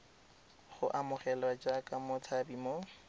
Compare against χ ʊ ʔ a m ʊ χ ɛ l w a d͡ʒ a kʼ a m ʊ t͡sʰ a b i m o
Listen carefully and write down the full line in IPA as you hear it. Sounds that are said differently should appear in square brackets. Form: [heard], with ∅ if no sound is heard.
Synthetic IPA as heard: χ ʊ ʔ a m ʊ χ ɛ l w a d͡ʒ a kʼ a m ʊ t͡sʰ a b i m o